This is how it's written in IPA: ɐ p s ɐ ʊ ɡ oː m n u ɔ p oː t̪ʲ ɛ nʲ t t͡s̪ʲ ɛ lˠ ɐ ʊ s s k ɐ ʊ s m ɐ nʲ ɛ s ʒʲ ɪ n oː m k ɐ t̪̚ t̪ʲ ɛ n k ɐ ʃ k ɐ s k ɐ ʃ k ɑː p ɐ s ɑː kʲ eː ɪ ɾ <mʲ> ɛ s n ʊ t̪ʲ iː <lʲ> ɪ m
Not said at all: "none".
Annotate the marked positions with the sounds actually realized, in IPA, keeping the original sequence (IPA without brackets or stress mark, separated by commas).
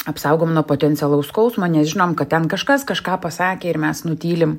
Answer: mʲ, lʲ